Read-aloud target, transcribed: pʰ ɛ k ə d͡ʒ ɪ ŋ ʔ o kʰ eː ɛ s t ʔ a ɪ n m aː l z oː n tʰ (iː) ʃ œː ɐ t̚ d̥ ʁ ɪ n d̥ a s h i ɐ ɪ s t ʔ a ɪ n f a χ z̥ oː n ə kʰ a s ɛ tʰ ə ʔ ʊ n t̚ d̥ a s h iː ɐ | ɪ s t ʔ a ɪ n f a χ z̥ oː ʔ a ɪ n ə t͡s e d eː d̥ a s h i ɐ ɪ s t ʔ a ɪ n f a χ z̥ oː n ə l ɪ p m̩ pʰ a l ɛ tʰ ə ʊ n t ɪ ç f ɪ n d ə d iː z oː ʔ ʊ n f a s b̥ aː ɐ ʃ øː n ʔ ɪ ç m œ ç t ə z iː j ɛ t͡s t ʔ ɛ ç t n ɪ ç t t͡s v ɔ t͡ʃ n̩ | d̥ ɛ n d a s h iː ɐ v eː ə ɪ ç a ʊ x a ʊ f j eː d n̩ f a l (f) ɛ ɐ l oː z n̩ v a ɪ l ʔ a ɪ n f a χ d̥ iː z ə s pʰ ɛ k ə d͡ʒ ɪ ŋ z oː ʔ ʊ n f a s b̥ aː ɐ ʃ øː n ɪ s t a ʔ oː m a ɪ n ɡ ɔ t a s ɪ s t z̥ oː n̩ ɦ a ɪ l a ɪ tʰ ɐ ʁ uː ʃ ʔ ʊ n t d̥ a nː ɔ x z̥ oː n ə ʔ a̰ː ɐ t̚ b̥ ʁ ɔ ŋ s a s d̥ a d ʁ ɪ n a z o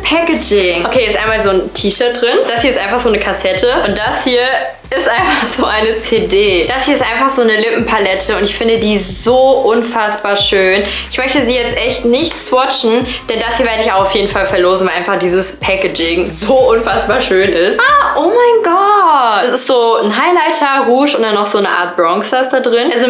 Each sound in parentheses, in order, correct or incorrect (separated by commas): correct, correct